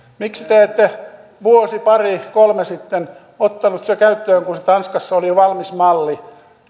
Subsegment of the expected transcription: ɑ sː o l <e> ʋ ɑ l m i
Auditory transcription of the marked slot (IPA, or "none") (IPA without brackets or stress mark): i